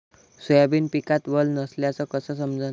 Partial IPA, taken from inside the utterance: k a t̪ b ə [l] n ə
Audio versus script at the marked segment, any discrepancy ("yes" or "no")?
no